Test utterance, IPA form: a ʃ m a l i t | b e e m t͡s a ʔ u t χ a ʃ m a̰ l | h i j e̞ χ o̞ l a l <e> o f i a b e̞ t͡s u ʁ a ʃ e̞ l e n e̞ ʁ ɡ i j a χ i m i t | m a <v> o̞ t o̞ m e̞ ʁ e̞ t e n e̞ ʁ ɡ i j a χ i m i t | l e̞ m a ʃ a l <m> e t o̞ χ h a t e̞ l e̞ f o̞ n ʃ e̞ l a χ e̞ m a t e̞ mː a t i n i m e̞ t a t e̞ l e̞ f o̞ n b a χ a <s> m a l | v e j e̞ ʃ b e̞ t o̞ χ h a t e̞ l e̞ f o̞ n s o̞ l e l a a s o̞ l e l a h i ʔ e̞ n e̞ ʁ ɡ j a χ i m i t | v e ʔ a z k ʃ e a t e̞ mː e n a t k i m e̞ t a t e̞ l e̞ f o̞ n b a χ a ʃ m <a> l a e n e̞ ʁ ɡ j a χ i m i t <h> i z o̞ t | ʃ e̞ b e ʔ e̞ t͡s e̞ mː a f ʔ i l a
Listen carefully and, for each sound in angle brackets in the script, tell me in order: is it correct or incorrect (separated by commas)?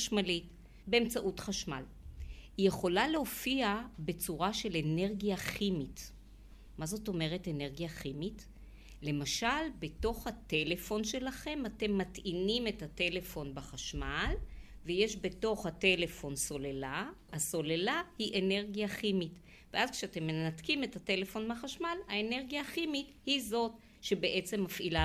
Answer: correct, incorrect, incorrect, incorrect, correct, correct